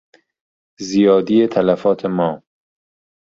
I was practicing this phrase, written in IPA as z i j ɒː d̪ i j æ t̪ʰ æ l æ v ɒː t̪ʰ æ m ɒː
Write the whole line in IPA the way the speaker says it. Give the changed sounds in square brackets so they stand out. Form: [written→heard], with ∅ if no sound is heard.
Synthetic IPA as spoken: z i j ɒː d̪ i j [æ→e] t̪ʰ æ l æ [v→f] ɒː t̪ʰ [æ→e] m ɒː